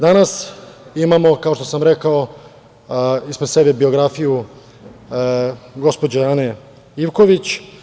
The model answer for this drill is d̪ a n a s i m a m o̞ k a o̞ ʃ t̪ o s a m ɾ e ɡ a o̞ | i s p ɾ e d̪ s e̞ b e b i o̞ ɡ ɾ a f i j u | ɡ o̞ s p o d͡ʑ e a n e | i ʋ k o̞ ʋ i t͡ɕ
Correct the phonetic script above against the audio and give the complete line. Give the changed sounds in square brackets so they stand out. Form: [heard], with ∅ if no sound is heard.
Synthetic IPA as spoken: d̪ a n a s i m a m o̞ k a o̞ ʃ t̪ o s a m ɾ e [k] a o̞ | i s p ɾ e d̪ s e̞ b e b i o̞ ɡ ɾ a f i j u | ɡ o̞ s p o d͡ʑ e a n e | i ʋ k o̞ ʋ i t͡ɕ